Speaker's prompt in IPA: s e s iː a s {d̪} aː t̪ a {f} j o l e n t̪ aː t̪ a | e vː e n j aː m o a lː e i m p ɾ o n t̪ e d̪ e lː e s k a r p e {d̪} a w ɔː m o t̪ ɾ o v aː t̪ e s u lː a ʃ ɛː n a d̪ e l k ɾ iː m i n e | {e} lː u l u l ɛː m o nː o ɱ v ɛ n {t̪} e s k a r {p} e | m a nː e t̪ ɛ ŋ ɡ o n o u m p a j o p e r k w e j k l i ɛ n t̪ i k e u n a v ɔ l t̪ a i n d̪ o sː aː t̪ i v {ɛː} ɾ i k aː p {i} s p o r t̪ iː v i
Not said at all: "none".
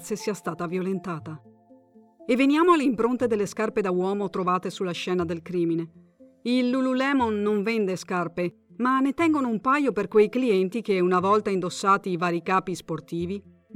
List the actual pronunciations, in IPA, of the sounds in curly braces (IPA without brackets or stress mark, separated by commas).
t̪, v, d̪, i, d̪, p, aː, i